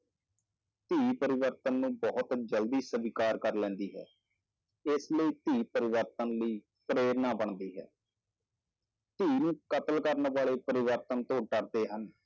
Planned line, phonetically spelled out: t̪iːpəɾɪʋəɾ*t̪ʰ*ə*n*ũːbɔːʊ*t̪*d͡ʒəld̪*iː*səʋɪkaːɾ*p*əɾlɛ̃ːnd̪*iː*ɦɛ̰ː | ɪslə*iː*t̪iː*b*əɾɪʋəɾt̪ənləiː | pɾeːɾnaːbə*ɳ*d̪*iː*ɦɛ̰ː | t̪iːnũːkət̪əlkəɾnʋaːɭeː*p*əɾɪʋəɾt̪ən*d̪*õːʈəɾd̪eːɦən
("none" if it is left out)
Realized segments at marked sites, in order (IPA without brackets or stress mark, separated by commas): t̪, nː, t̪, iː, k, iː, iː, p, ɳ, iː, p, t̪